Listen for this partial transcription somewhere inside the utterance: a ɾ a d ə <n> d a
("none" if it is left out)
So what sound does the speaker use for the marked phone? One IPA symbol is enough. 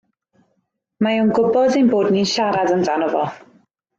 n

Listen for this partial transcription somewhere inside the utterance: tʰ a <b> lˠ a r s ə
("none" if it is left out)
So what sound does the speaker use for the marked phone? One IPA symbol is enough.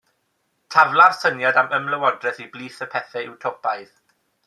v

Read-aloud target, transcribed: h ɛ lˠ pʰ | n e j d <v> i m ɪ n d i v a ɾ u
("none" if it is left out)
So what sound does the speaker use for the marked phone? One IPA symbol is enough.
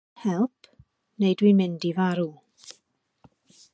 w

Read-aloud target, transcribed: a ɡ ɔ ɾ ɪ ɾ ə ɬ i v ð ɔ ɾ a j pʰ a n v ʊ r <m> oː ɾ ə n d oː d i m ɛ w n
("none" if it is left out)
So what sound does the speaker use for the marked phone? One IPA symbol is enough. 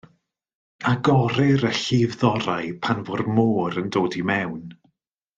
m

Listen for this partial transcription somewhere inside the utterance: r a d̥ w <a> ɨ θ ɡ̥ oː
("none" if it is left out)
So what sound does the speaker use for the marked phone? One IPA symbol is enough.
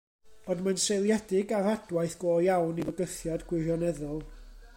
a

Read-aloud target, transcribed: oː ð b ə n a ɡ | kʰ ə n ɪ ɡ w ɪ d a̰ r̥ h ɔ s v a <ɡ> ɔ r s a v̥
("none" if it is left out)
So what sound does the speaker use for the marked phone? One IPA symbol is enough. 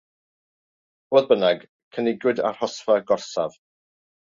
ɡ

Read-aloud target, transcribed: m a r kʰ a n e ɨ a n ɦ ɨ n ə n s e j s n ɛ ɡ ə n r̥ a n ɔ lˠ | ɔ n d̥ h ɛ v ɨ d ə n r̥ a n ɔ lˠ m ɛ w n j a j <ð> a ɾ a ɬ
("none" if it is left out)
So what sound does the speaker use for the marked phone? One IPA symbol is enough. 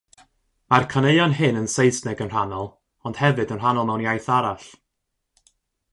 θ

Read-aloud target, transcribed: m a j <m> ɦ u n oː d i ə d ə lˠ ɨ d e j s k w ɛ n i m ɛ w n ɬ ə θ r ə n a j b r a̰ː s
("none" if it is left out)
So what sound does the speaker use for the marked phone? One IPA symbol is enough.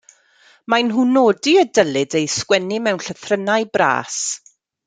n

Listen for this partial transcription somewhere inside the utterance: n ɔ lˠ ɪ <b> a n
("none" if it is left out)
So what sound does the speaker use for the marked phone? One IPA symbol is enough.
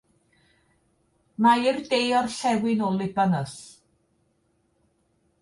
b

